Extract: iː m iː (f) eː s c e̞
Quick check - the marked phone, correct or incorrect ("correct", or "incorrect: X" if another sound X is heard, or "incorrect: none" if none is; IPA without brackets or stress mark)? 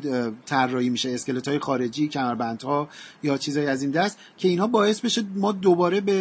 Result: incorrect: ʃ